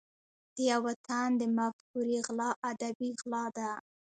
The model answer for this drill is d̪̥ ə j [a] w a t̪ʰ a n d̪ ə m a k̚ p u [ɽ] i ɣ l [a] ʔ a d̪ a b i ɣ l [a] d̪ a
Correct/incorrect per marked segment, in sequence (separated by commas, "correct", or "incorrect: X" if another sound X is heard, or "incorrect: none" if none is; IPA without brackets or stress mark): correct, incorrect: ɾ, incorrect: ɑ, incorrect: ɑ